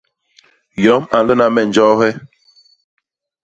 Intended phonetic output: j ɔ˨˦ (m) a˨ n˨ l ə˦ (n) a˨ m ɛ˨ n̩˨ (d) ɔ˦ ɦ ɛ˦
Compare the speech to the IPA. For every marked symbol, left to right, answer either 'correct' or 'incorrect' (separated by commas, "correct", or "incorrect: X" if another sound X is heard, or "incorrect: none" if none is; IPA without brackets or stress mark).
correct, correct, incorrect: d͡ʒ